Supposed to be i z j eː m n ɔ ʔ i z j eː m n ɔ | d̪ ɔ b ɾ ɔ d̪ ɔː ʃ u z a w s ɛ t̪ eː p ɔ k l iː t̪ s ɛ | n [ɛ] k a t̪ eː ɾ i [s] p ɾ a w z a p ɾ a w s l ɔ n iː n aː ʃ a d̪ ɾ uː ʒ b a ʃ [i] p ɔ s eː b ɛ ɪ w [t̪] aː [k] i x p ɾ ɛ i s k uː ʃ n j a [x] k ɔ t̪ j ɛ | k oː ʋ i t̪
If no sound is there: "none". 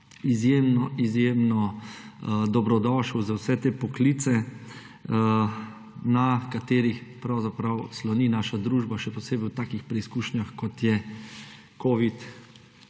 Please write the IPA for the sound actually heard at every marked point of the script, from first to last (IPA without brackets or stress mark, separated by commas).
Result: a, x, ɛ, t̪, k, x